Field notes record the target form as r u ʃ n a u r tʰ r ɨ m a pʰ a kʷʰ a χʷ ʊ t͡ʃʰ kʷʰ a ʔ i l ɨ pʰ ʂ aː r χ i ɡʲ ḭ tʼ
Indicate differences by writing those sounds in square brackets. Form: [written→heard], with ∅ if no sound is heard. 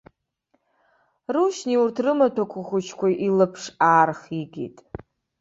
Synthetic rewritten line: r u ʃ n [a→i] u r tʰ r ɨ m a [pʰ→tʰ] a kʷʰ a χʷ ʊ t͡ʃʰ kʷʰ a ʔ i l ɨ pʰ ʂ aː r χ i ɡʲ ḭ tʼ